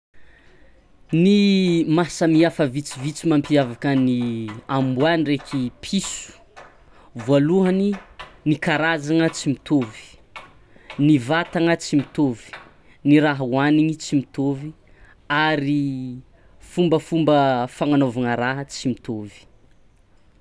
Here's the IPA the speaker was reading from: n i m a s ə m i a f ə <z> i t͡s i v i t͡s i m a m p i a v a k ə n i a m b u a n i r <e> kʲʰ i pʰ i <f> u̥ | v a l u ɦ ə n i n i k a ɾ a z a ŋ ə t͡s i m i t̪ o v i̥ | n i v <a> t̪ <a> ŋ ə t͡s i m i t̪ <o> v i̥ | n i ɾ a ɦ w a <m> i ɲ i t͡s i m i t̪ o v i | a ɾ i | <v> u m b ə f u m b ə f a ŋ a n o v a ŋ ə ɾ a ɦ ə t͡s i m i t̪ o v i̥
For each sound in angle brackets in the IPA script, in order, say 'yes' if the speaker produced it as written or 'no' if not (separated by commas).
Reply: no, yes, no, yes, yes, yes, no, no